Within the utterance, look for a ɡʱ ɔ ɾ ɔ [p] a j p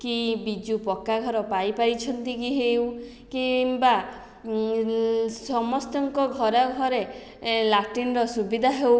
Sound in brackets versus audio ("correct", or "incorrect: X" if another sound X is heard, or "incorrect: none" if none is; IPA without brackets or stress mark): correct